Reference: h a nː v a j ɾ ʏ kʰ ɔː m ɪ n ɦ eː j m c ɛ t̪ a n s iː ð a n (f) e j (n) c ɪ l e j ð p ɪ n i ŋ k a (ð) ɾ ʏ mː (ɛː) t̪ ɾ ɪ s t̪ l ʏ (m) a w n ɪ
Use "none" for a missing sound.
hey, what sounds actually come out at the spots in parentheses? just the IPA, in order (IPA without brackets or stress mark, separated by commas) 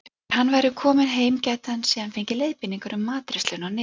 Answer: f, ɲ, none, aː, n